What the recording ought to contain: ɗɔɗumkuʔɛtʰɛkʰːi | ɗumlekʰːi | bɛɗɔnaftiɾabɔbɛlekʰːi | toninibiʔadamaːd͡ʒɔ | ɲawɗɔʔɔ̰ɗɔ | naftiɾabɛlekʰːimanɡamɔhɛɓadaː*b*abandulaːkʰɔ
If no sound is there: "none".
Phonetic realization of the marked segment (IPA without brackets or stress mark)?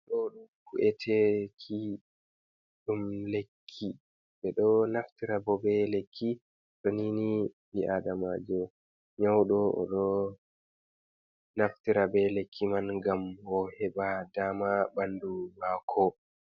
m